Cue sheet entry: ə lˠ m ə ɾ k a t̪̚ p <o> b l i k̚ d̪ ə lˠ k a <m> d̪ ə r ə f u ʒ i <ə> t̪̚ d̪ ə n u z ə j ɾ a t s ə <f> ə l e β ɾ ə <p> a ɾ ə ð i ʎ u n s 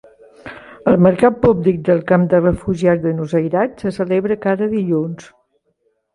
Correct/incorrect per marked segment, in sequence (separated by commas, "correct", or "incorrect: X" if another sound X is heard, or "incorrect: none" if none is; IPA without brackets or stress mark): incorrect: u, correct, incorrect: a, incorrect: s, incorrect: k